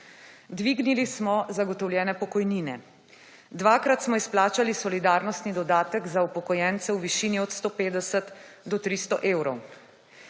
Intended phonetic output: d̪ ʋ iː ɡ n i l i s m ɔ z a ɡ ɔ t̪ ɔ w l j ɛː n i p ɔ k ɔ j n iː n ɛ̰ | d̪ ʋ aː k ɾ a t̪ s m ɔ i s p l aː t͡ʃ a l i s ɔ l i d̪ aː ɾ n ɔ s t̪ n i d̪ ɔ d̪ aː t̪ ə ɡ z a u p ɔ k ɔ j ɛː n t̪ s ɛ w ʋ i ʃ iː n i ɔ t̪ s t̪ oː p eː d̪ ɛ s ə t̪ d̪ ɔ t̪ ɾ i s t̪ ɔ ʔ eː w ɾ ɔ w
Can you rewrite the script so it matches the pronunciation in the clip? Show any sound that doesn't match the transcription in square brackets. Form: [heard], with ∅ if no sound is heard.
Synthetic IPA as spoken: d̪ ʋ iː ɡ n i l i s m ɔ z a ɡ ɔ t̪ ɔ w l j ɛː n [ɛ] p ɔ k ɔ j n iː n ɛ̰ | d̪ ʋ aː k ɾ a t̪ s m ɔ i s p l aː t͡ʃ a l i s ɔ l i d̪ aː ɾ n ɔ s t̪ n i d̪ ɔ d̪ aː t̪ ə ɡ z a u p ɔ k ɔ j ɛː n t̪ s ɛ w ʋ i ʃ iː n i ɔ t̪ s t̪ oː p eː d̪ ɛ s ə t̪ d̪ ɔ t̪ ɾ i s t̪ ɔ ʔ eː w ɾ ɔ w